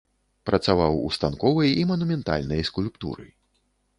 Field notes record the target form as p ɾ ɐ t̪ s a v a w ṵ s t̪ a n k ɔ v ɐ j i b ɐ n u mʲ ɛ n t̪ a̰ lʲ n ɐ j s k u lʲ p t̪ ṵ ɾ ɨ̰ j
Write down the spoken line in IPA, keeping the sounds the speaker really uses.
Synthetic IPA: p ɾ ɐ t̪ s a v a w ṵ s t̪ a n k ɔ v ɐ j i m ɐ n u mʲ ɛ n t̪ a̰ lʲ n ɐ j s k u lʲ p t̪ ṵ ɾ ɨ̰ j